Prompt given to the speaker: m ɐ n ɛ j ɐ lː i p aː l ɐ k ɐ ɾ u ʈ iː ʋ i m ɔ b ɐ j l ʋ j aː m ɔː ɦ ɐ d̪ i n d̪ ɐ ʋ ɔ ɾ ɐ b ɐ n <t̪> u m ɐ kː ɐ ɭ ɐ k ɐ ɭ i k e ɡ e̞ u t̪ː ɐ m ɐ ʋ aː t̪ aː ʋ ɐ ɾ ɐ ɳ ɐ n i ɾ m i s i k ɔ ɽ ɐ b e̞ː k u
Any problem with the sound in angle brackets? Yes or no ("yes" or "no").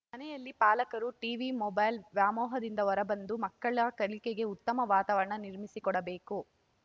yes